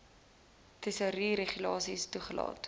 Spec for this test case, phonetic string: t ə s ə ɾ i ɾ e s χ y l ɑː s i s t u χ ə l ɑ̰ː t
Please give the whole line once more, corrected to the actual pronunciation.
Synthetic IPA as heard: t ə s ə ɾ i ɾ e χ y l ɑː s i s t u χ ə l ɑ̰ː t